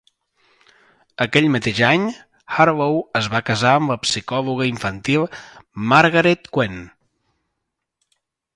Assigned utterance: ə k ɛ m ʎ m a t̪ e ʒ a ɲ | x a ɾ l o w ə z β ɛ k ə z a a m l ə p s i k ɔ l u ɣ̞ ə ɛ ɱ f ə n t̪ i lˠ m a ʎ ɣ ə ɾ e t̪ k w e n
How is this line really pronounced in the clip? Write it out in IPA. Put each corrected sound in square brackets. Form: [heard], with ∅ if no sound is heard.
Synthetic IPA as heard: ə k ɛ [∅] ʎ m [ə] t̪ e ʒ a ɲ | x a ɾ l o w ə z β [a] k ə z a [ə] m l ə p s i k ɔ l u ɣ̞ ə [i] ɱ f ə n t̪ i lˠ m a [ɾ] ɣ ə ɾ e t̪ k w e n